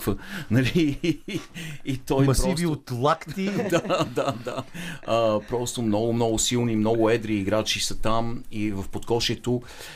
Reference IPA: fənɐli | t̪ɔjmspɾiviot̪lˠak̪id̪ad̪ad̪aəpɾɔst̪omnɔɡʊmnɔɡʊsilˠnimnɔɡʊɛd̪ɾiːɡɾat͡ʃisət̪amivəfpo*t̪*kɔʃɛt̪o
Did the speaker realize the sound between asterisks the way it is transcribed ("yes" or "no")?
yes